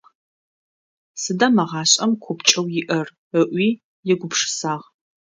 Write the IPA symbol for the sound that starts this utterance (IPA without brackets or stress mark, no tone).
s